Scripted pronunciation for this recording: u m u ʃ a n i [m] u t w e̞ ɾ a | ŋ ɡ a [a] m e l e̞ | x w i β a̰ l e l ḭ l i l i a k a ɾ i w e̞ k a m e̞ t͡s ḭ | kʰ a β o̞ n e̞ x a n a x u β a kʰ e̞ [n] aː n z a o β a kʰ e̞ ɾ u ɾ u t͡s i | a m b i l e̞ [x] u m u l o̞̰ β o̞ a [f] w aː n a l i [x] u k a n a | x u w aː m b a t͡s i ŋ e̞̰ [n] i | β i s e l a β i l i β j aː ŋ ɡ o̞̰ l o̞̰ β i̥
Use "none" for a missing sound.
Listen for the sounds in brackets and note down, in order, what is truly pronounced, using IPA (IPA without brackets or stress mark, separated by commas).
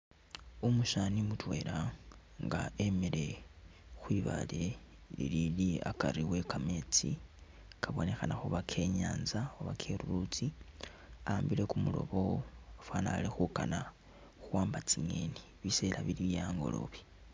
m, e, ɲ, k, f, x, n